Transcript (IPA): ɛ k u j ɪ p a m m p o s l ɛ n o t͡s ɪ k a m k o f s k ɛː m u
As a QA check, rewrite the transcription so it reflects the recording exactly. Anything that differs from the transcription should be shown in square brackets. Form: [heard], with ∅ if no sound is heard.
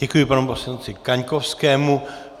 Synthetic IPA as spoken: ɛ k u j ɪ p a [n] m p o s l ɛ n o t͡s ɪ k a [ɲ] k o f s k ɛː m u